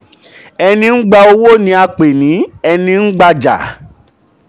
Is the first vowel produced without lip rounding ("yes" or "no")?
yes